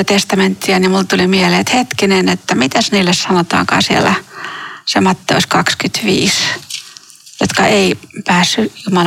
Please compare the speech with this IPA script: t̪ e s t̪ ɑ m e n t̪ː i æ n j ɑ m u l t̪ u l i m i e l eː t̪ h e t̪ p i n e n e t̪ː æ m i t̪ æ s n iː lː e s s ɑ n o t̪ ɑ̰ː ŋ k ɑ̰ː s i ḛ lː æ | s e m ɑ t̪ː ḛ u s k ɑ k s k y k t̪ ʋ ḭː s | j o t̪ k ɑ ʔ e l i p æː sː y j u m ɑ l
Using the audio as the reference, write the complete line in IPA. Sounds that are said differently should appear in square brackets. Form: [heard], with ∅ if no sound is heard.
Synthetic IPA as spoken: t̪ e s t̪ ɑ m e n t̪ː i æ n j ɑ m u l t̪ u l i m i e l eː t̪ h e t̪ [k] i n e n e t̪ː æ m i t̪ æ s n iː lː e s s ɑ n o t̪ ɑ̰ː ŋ k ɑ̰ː s i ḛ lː æ | s e m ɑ t̪ː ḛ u s k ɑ k s k y [∅] t̪ ʋ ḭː s | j o t̪ k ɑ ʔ e [∅] i p æː sː y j u m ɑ l